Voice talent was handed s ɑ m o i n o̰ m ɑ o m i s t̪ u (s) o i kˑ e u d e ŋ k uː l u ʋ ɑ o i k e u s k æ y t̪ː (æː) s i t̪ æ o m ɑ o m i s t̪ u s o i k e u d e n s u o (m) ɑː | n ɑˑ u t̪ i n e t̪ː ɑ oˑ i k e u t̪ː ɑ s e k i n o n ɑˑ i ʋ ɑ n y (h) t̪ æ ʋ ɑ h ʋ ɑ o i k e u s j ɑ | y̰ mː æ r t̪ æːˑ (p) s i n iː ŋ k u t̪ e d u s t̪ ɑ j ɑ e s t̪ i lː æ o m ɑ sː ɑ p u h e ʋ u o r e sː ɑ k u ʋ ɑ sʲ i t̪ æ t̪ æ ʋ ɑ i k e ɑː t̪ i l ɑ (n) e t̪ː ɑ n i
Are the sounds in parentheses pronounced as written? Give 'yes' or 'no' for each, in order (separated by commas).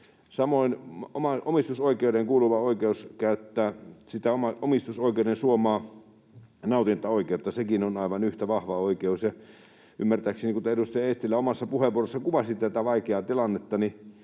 yes, yes, yes, yes, no, no